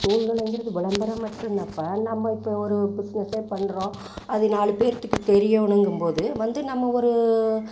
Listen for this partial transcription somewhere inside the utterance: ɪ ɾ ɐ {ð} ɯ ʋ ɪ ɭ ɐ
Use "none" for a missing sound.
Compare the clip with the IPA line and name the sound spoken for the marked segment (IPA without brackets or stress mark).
ð